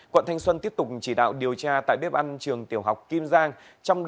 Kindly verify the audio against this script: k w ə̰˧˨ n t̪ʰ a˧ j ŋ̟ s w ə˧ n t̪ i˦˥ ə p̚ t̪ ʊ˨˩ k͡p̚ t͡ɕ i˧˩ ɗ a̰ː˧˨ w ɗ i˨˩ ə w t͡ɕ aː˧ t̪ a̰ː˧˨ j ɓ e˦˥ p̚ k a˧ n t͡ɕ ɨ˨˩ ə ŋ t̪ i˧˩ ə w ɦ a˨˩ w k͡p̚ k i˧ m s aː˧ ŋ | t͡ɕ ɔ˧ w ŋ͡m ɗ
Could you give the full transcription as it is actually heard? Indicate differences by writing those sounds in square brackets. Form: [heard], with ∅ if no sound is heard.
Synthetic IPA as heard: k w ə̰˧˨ n t̪ʰ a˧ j ŋ̟ s w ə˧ n t̪ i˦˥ ə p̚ t̪ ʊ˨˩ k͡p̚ t͡ɕ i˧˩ ɗ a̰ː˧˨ w ɗ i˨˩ ə w t͡ɕ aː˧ t̪ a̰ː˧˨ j ɓ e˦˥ p̚ [ʔ] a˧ n t͡ɕ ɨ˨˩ ə ŋ t̪ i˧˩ ə w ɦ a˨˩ w k͡p̚ k i˧ m [z] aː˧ ŋ | t͡ɕ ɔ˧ w ŋ͡m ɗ